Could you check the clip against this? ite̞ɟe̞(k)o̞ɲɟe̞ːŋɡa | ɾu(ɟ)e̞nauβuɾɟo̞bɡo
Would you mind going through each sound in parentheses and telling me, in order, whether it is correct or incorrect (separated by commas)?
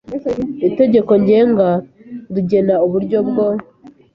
correct, correct